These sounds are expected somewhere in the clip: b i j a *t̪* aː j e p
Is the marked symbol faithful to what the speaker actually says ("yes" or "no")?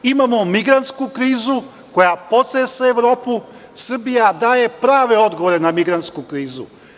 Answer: no